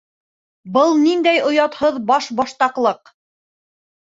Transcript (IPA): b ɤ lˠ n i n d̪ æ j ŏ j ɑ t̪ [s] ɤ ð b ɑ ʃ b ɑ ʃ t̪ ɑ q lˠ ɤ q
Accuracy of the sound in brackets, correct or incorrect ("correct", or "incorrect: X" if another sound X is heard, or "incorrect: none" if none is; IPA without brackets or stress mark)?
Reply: incorrect: h